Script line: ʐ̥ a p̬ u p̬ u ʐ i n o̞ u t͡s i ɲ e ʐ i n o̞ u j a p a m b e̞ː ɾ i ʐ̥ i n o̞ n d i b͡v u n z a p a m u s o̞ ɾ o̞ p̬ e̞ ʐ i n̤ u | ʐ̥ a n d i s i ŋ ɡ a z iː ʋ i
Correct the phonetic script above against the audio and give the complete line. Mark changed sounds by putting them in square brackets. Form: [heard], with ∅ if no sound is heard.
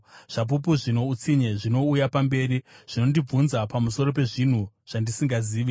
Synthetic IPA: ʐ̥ a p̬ u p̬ u ʐ i n o̞ u t͡s i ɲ e ʐ i n o̞ u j a p a m b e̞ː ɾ i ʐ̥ i n o̞ n d i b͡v u n z a p a m u s o̞ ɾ o̞ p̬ e̞ ʐ i n̤ u | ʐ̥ a n d i s i ŋ ɡ a z iː ʋ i